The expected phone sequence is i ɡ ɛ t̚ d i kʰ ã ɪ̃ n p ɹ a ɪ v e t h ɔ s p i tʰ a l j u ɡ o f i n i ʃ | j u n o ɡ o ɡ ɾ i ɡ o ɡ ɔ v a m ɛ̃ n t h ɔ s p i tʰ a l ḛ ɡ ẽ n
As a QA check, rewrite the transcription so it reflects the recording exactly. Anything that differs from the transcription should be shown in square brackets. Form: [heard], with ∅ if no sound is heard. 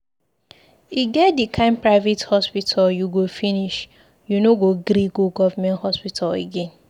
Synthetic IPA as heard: i ɡ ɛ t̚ d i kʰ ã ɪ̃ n p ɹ a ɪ v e t h ɔ s p i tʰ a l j u ɡ o f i n i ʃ | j u n o ɡ o ɡ ɾ i ɡ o ɡ ɔ v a m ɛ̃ n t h ɔ s p i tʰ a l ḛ ɡ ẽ n

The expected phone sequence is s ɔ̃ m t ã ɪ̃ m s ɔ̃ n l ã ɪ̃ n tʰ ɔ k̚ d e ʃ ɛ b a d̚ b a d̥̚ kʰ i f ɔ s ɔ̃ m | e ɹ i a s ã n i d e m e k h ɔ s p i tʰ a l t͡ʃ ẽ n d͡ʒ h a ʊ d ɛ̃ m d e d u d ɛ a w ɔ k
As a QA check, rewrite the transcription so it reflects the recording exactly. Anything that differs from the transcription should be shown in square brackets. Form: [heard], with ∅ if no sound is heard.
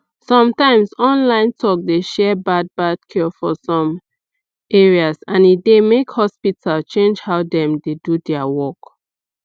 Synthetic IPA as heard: s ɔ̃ m t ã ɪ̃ m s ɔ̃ n l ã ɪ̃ n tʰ ɔ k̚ d e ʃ ɛ b a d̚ b a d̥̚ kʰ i f ɔ s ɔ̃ m | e ɹ i a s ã n i d e m e k h ɔ s p i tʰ a l t͡ʃ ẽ n d͡ʒ h a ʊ d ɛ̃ m d e d u d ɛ a w ɔ k

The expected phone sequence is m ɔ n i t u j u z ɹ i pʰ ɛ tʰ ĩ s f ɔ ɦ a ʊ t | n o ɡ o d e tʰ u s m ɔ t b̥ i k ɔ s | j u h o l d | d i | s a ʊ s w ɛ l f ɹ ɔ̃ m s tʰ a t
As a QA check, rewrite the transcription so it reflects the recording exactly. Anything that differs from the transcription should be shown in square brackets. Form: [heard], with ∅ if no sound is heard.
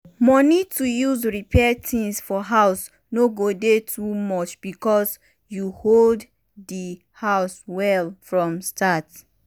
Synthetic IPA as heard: m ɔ n i t u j u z ɹ i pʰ ɛ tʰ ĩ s f ɔ ɦ a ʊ [s] | n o ɡ o d e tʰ u [∅] m ɔ [t͡ʃ] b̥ i k ɔ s | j u h o l d | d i | [h] a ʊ s w ɛ l f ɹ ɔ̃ m s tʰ a t

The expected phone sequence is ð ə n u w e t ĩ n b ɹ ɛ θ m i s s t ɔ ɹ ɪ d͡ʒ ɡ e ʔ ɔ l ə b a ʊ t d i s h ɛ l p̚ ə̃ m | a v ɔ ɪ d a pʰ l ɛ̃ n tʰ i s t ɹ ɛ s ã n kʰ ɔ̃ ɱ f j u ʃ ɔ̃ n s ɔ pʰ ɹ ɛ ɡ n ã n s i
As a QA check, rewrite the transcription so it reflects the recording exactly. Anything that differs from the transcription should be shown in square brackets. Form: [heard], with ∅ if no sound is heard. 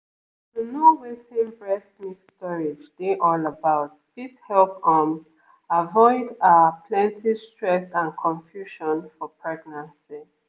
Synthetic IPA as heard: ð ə n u w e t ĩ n b ɹ ɛ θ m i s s t ɔ ɹ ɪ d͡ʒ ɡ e ʔ ɔ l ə b a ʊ t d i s h ɛ l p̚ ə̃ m | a v ɔ ɪ d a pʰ l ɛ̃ n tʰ i s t ɹ ɛ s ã n kʰ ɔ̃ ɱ f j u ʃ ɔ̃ n [f] ɔ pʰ ɹ ɛ ɡ n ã n s i

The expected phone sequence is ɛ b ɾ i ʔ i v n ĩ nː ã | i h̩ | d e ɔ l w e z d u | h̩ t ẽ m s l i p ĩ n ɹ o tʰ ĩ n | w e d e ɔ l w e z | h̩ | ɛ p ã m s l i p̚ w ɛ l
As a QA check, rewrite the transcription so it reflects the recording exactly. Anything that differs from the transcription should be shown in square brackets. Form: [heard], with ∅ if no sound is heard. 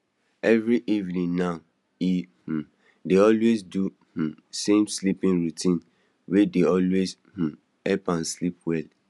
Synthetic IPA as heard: ɛ [v] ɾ i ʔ i v n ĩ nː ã | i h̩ | d e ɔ l w e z d u | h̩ [s] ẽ m s l i p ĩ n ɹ [u] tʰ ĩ n | w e d e ɔ l w e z | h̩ | ɛ p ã [n] s l i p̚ w ɛ l

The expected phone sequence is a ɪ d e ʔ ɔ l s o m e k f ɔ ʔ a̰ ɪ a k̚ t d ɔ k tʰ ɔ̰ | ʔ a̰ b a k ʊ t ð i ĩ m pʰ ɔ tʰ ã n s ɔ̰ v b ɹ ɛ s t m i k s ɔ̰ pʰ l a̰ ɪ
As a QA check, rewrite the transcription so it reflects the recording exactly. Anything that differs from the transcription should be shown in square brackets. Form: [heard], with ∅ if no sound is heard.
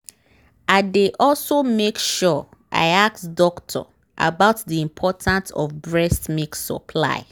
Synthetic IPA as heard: a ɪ d e ʔ ɔ l s o m e k [ʃ] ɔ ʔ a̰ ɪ a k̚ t d ɔ k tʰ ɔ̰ | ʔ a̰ b a [∅] ʊ t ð i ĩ m pʰ ɔ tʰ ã n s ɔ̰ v b ɹ ɛ s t m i k s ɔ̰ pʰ l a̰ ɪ

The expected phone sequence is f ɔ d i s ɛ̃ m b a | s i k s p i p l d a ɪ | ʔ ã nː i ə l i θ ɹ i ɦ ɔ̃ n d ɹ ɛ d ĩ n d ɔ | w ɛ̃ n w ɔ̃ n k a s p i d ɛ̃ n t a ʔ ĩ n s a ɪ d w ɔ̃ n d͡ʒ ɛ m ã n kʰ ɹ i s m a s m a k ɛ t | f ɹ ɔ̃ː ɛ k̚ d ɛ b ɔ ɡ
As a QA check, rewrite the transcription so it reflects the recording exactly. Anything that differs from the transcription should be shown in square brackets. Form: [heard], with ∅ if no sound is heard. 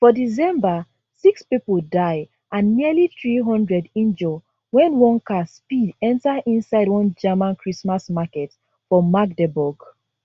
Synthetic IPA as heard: f ɔ d i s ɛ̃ m b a | s i k s p i p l d a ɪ | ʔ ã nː i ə l i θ ɹ i ɦ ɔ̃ n d ɹ ɛ d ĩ n [d͡ʒ] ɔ | w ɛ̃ n w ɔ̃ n k a s p i d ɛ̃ n t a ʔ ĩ n s a ɪ d w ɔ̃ n d͡ʒ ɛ m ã n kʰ ɹ i s m a s m a k ɛ t | f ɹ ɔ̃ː [a] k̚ d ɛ b ɔ ɡ

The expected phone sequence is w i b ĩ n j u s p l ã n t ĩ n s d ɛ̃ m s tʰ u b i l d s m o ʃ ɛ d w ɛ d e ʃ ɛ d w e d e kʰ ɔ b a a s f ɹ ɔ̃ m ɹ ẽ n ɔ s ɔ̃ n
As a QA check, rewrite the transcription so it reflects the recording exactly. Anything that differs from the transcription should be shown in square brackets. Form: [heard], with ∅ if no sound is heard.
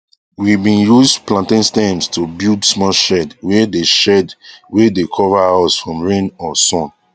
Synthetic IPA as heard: w i b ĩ n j u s p l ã n t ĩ n s [t] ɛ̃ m s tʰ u b i l d s m [ɔ] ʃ ɛ d w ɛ d e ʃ ɛ d w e d e kʰ ɔ [v] a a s f ɹ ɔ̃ m ɹ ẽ n ɔ s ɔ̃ n

